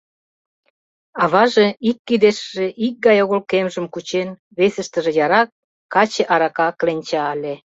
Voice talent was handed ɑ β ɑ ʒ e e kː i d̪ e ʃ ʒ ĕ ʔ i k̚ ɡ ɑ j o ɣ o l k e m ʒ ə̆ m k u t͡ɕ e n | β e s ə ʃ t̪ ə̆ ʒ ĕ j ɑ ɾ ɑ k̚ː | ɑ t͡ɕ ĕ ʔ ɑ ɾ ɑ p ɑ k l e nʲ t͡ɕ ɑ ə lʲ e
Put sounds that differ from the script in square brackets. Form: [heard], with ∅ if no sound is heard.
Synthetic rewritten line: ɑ β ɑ ʒ e [i] kː i d̪ e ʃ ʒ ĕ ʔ i k̚ ɡ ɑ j o ɣ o l k e m ʒ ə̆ m k u t͡ɕ e n | β e s ə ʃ t̪ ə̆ ʒ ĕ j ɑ ɾ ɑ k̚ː | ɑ t͡ɕ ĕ ʔ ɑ ɾ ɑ [k] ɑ k l e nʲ t͡ɕ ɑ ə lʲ e